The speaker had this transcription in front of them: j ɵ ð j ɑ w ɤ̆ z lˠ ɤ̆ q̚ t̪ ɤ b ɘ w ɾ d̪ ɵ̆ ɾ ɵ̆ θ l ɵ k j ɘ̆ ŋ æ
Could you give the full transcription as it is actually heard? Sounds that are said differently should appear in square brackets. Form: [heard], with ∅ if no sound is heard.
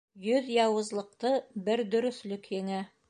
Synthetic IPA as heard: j ɵ ð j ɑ w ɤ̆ z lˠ ɤ̆ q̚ t̪ ɤ b ɘ [∅] ɾ d̪ ɵ̆ ɾ ɵ̆ θ l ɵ k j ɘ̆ ŋ æ